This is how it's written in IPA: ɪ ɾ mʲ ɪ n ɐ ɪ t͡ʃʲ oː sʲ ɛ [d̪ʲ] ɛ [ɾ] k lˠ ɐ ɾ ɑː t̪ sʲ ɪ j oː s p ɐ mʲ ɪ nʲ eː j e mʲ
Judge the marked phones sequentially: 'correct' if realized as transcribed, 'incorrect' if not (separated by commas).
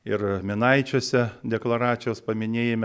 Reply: correct, incorrect